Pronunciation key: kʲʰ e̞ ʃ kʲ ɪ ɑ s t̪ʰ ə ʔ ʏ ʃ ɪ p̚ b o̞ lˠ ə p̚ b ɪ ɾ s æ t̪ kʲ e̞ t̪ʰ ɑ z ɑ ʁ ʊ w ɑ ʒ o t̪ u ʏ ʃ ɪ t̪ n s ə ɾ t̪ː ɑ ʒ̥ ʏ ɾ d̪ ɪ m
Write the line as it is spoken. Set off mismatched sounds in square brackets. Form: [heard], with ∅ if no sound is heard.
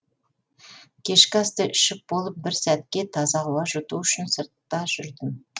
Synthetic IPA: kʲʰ e̞ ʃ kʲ ɪ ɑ s [t̪] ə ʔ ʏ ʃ ɪ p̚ b o̞ lˠ ə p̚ b ɪ ɾ s æ t̪ kʲ e̞ t̪ʰ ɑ z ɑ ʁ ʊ w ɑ ʒ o t̪ u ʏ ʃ ɪ [∅] n s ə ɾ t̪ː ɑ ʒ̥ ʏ ɾ d̪ ɪ m